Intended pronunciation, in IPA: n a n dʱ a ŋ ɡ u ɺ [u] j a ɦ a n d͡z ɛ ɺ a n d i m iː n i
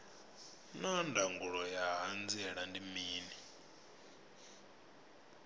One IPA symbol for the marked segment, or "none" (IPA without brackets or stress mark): ɔ